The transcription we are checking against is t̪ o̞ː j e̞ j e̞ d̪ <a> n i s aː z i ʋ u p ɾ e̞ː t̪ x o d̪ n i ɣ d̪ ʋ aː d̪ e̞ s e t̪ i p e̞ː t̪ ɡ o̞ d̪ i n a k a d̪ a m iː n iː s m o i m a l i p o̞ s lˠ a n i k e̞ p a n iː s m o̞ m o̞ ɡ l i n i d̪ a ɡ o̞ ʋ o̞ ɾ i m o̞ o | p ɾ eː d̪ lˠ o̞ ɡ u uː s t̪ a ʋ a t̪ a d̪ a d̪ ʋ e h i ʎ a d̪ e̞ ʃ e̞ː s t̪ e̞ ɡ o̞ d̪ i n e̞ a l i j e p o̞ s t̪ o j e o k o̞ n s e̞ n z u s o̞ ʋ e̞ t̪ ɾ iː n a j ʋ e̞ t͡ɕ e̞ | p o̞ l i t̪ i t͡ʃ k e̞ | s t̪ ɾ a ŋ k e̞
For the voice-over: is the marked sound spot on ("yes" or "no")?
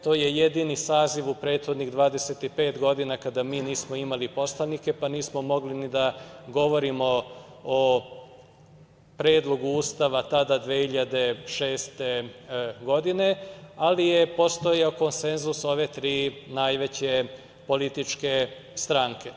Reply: no